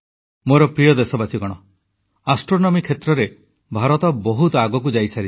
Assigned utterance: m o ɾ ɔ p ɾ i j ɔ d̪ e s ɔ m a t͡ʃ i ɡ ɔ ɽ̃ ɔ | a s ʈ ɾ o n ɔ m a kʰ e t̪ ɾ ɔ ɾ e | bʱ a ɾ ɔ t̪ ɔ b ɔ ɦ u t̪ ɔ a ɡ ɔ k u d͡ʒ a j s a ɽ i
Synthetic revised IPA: m o ɾ ɔ p ɾ i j ɔ d̪ e s ɔ b a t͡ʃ i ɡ ɔ ɽ̃ ɔ | a s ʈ ɾ o n ɔ m i kʰ e t̪ ɾ ɔ ɾ e | bʱ a ɾ ɔ t̪ ɔ b ɔ ɦ u t̪ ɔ a ɡ ɔ k u d͡ʒ a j s a ɾ i